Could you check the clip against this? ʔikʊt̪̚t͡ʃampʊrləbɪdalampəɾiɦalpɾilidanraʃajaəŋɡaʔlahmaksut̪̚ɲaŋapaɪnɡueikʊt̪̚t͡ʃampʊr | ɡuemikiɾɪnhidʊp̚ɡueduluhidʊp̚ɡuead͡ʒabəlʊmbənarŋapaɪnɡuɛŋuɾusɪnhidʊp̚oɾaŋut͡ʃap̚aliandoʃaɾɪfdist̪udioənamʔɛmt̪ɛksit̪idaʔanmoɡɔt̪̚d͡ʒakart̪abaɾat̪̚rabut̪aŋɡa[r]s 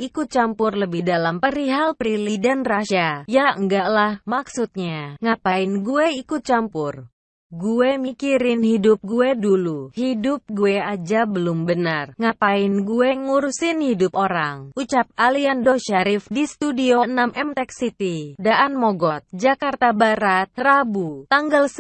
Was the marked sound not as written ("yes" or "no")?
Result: yes